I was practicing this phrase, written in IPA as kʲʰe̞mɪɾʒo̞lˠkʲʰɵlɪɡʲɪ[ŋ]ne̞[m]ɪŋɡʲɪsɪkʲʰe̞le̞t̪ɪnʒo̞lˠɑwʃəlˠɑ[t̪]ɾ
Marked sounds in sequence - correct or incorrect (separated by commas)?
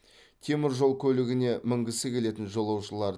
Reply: incorrect, correct, incorrect